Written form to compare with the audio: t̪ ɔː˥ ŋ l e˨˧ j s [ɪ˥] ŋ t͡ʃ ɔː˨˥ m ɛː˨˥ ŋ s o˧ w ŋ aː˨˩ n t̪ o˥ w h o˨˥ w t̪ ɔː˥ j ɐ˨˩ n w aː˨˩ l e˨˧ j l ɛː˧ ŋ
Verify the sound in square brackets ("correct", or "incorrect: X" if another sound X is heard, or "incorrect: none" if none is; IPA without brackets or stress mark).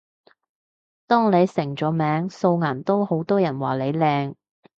incorrect: ɪ˨˩